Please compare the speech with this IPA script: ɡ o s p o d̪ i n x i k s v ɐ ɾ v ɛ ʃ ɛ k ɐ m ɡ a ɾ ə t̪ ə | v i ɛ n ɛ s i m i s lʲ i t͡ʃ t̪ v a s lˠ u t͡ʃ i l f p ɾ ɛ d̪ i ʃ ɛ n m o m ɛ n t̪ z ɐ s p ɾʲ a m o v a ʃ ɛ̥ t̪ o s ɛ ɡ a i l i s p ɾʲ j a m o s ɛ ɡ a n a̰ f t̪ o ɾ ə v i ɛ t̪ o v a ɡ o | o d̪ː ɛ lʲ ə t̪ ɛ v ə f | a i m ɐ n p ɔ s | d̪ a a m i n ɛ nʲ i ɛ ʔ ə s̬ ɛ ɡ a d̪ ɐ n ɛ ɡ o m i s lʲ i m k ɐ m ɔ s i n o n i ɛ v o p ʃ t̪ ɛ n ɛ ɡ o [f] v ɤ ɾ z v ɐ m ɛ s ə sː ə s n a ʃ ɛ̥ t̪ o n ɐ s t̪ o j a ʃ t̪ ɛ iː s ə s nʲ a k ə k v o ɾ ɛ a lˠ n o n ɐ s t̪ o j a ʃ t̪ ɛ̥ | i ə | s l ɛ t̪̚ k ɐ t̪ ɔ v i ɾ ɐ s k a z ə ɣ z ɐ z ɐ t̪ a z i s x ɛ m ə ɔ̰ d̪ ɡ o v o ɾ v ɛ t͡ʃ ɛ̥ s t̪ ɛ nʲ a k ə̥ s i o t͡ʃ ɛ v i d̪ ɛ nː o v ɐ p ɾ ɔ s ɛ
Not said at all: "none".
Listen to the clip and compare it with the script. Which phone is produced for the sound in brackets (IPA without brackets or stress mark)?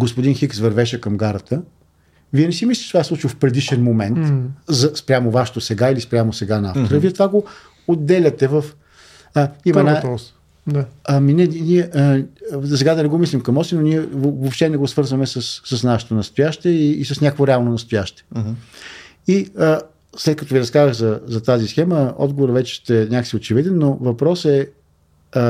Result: s